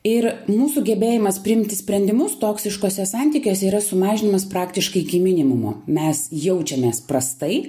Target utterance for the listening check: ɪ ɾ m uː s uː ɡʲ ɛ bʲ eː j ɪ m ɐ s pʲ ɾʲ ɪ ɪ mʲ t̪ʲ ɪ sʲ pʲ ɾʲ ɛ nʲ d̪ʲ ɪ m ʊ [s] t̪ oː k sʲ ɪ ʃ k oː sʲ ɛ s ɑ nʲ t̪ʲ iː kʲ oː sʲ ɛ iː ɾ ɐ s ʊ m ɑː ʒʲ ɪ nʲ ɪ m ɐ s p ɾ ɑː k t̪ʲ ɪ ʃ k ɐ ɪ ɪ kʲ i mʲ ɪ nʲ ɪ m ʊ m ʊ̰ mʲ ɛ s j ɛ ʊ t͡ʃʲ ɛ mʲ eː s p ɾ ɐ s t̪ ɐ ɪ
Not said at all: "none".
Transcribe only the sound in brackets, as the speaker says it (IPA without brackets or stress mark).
s